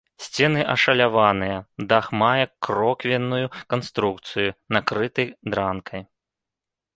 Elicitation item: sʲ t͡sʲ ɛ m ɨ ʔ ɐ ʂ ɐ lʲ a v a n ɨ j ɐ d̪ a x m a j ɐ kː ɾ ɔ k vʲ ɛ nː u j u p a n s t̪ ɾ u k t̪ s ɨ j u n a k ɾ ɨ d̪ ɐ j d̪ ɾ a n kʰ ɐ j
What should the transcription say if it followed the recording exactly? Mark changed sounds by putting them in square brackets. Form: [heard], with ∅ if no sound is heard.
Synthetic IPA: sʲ t͡sʲ ɛ [n] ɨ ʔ ɐ ʂ ɐ lʲ a v a n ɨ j ɐ d̪ a x m a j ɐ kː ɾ ɔ k vʲ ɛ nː u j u [k] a n s t̪ ɾ u k t̪ s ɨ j u n a k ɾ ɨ [t̪] ɐ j d̪ ɾ a n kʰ ɐ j